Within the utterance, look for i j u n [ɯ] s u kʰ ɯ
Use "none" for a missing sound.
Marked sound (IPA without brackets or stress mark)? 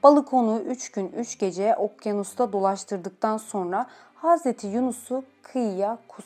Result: u